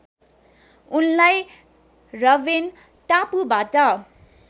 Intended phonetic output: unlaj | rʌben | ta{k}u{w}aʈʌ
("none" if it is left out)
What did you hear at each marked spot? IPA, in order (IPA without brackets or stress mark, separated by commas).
p, b